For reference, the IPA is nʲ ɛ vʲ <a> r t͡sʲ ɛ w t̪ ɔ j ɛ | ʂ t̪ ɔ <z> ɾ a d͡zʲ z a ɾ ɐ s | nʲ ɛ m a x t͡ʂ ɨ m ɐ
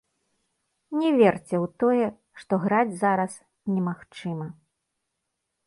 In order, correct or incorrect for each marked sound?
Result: incorrect: ɛ, incorrect: ɣ

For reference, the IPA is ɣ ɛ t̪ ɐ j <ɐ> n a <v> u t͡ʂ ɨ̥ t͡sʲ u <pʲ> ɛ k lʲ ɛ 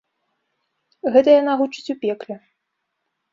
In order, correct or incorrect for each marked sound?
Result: incorrect: a, incorrect: ɣ, correct

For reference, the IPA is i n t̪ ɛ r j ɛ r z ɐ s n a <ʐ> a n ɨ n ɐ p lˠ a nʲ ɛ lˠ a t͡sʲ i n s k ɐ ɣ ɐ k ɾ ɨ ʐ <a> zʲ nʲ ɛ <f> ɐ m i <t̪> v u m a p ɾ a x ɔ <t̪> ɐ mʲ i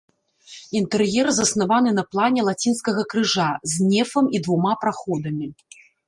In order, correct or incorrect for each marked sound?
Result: incorrect: v, correct, correct, incorrect: d̪, incorrect: d̪

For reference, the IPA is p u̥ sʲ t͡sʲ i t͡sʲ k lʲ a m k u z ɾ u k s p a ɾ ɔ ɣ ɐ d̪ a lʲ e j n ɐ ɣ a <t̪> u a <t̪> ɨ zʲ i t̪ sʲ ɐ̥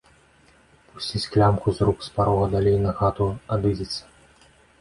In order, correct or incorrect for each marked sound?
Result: correct, incorrect: d̪

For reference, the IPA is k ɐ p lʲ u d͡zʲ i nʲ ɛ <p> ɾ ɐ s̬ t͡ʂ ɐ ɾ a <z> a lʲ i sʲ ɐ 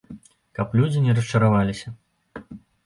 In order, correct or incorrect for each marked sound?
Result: incorrect: none, incorrect: v

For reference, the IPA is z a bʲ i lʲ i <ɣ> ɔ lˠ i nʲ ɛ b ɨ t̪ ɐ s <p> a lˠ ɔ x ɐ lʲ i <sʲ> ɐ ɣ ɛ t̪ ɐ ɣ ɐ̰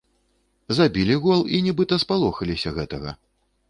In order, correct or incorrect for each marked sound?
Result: correct, correct, correct

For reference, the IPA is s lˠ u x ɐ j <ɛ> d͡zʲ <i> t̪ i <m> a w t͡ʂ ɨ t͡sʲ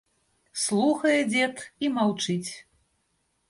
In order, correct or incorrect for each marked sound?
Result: correct, incorrect: ɛ, correct

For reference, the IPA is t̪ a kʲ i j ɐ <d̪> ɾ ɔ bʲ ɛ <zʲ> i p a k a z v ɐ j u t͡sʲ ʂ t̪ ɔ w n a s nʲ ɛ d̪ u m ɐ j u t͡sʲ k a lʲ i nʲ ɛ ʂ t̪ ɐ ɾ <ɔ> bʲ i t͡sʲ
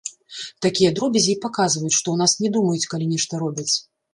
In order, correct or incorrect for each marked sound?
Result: correct, correct, correct

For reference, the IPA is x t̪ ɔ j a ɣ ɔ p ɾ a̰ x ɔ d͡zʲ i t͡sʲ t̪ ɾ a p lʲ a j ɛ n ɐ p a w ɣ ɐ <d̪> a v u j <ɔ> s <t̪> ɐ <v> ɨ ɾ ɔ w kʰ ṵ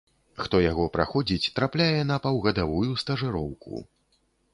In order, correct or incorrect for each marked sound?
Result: correct, incorrect: u, correct, incorrect: ʐ

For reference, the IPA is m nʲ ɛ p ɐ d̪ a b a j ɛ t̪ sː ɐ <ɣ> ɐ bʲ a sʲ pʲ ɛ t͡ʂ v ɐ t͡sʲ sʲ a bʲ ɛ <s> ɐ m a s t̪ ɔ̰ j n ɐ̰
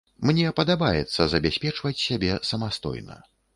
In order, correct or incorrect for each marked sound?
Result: incorrect: z, correct

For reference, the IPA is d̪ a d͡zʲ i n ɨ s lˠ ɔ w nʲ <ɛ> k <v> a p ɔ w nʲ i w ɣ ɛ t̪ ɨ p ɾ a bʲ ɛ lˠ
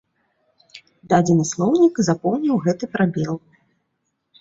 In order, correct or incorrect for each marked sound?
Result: incorrect: i, incorrect: z

